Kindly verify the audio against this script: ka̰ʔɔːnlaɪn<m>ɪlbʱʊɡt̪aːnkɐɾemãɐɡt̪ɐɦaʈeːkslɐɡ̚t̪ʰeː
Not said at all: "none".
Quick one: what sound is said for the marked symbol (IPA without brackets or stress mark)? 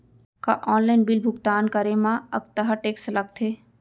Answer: b